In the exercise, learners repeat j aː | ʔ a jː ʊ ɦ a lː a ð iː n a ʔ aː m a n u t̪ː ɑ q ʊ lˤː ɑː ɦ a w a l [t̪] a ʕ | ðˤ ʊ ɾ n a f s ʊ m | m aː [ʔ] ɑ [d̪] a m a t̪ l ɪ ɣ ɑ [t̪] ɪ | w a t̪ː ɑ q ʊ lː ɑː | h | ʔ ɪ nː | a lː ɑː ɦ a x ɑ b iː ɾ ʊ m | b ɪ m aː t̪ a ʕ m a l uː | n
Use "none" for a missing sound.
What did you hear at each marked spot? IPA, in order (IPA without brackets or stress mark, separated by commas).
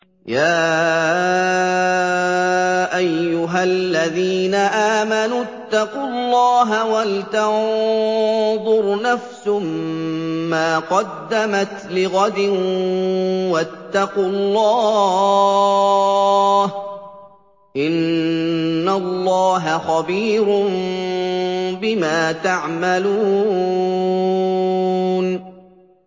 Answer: t̪, q, d̪ː, d̪